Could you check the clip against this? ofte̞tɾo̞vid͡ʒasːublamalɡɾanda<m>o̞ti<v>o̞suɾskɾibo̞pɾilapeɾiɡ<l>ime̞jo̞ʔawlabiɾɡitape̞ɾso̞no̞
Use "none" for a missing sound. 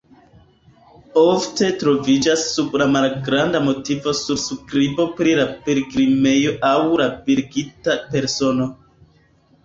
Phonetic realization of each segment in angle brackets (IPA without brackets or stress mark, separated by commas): m, v, ɾ